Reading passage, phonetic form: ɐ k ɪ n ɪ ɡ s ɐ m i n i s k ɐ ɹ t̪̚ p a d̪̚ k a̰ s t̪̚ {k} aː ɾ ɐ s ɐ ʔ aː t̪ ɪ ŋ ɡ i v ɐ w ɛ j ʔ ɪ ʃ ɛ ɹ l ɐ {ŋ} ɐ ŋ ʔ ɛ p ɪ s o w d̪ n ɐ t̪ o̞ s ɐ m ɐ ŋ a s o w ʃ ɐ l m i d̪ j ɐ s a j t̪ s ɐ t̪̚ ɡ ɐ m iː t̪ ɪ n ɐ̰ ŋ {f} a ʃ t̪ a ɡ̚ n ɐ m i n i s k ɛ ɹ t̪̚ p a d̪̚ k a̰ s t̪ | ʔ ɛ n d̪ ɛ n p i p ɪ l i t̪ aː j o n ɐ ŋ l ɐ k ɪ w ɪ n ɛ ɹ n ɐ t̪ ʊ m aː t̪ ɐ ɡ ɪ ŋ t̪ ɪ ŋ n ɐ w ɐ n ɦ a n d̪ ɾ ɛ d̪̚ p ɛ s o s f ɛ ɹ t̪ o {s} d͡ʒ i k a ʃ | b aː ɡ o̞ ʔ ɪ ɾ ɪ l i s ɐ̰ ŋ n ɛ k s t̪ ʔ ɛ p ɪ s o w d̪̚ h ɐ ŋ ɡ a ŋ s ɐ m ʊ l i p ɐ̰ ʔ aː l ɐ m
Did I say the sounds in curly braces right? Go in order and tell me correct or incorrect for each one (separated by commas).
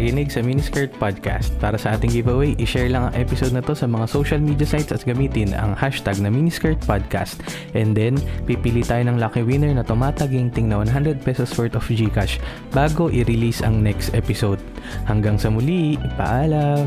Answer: incorrect, correct, incorrect, incorrect